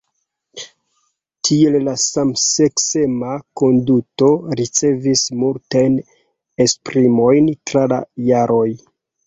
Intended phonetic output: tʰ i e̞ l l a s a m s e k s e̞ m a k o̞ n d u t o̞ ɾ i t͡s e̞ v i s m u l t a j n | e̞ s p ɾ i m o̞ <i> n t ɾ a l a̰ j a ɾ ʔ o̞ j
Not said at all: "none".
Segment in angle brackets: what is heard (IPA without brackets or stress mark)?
j